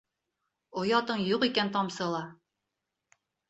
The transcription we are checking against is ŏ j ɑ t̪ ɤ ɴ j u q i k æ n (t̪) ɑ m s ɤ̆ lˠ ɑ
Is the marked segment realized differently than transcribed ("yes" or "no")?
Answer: no